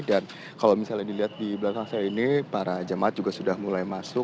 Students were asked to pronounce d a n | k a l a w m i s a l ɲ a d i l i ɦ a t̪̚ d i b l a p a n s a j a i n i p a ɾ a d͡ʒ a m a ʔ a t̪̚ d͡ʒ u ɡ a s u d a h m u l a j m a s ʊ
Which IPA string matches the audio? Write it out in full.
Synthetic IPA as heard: d a n | k a l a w m i s a l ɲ a d i l i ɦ a t̪̚ d i b l a k a ŋ s a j a i n i p a ɾ a d͡ʒ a m a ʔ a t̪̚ d͡ʒ u ɡ a s u d a h m u l a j m a s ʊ